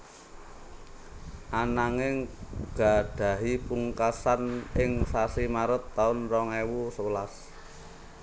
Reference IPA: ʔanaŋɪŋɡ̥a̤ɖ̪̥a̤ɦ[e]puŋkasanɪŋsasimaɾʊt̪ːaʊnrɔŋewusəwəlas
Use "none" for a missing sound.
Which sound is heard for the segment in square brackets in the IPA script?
i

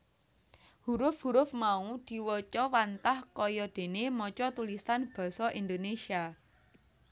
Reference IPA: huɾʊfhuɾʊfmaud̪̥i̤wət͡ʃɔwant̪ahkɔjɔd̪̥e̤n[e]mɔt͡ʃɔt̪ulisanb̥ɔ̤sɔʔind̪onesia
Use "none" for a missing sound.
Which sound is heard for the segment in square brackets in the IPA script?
e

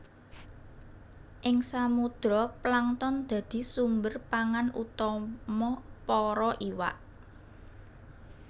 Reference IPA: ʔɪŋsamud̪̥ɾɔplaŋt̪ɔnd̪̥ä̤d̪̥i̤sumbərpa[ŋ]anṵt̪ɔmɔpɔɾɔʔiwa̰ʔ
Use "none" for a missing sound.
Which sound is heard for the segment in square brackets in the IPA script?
ŋ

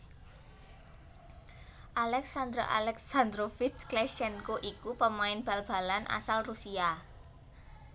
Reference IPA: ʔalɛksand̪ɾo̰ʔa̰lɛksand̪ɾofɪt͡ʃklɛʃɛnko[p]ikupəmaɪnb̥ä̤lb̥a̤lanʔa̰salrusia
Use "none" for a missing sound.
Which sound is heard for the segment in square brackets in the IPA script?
ʔ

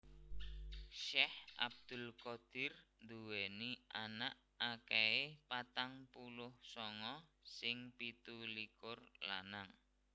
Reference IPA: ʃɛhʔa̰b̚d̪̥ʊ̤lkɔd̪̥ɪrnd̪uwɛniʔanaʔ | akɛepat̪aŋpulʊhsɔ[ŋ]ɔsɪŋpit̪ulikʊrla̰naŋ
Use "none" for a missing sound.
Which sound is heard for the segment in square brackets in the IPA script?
ŋ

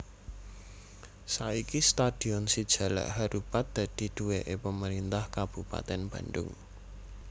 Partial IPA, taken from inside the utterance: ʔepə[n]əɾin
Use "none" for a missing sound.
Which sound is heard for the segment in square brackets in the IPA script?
m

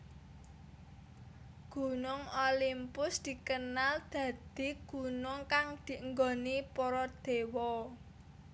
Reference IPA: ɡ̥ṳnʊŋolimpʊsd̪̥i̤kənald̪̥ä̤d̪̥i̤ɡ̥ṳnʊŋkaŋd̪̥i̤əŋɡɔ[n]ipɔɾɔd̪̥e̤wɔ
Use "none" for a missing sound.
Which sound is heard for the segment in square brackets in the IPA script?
n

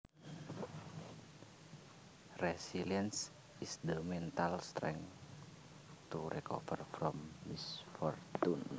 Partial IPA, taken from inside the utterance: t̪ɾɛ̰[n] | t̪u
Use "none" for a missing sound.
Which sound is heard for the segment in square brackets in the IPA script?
ŋ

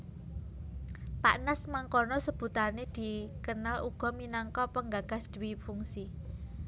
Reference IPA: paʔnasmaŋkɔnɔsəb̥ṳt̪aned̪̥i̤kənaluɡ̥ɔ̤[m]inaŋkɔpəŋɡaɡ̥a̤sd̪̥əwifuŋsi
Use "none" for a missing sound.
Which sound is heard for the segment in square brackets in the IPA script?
m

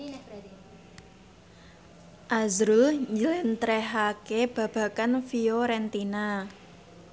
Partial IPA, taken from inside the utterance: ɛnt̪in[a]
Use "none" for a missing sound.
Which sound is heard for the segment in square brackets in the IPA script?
a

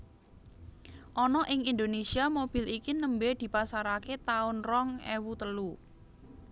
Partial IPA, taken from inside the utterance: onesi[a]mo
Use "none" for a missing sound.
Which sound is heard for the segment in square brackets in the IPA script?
a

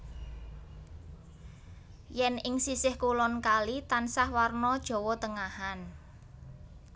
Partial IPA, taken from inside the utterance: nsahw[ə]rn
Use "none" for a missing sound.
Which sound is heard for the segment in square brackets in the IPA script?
a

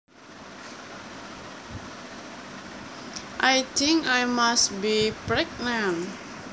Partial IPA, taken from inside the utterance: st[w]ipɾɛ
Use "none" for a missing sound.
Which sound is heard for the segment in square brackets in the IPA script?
b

